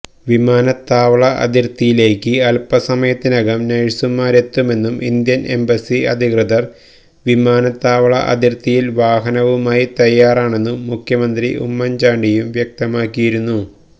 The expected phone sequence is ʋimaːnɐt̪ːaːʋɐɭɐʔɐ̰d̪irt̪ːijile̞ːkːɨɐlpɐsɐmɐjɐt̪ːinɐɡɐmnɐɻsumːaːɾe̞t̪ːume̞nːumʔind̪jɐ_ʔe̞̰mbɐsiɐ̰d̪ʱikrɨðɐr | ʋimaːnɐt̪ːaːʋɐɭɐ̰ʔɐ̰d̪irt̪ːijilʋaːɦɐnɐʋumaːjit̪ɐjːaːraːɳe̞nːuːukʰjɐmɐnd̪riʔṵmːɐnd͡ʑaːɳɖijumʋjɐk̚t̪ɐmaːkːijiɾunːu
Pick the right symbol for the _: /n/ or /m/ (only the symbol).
n